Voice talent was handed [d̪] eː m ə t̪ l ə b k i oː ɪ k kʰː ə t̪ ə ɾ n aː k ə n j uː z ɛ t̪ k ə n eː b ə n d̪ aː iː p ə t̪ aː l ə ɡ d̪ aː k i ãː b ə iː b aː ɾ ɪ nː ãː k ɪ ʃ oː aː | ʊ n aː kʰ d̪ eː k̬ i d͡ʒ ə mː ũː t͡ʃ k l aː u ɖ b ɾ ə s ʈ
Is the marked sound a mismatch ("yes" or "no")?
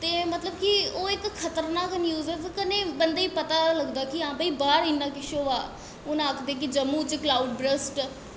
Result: yes